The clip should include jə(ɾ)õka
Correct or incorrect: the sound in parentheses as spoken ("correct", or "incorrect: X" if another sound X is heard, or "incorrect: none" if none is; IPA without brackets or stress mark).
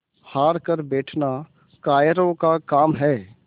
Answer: correct